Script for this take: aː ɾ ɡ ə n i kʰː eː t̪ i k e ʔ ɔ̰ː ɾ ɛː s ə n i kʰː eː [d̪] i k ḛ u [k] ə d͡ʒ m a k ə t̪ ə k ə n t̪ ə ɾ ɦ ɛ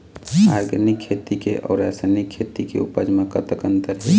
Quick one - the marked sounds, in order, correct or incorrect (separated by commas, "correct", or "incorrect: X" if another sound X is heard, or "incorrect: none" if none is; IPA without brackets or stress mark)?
incorrect: t̪, incorrect: p